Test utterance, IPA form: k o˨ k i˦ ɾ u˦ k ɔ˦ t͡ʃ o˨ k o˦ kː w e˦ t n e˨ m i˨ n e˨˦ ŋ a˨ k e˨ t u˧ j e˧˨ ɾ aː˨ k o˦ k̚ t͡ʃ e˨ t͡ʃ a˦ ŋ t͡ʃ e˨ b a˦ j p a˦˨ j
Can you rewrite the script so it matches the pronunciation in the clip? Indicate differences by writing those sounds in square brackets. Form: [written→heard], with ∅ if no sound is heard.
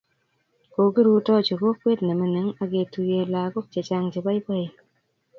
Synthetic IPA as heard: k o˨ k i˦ ɾ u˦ [k→t] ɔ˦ t͡ʃ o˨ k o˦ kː w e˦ t n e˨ m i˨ n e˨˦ ŋ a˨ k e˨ t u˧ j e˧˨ [ɾ→l] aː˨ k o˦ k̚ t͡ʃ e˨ t͡ʃ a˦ ŋ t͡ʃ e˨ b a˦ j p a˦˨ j